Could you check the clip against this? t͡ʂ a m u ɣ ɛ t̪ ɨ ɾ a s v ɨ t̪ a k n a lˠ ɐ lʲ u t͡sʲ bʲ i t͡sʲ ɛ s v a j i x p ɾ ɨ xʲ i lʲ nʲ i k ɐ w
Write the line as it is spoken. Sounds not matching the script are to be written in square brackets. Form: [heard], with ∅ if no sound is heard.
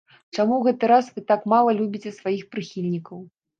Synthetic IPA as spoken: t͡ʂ a m u ɣ ɛ t̪ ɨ ɾ a s v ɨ t̪ a k [m] a lˠ ɐ lʲ u [∅] bʲ i t͡sʲ ɛ s v a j i x p ɾ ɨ xʲ i lʲ nʲ i k ɐ w